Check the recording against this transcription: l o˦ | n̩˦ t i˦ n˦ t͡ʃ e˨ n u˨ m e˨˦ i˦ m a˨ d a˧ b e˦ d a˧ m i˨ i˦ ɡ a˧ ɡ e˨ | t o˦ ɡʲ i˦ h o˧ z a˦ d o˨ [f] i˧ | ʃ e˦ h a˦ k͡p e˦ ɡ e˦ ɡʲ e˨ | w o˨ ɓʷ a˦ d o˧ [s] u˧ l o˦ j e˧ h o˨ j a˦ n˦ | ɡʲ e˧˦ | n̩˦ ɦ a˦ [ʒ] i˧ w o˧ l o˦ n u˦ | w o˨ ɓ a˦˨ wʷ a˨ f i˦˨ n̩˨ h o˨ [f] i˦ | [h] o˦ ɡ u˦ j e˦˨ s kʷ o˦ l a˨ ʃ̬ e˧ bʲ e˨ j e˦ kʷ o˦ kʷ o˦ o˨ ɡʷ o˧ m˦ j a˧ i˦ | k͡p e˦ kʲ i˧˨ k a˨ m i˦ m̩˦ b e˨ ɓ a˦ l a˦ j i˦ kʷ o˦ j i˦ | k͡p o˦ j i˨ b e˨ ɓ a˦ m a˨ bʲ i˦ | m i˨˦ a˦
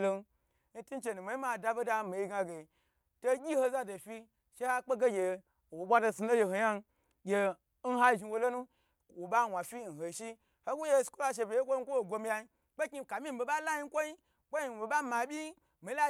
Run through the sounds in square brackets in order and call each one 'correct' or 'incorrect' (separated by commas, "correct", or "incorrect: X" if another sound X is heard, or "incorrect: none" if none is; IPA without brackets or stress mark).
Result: correct, correct, correct, incorrect: ʃ, correct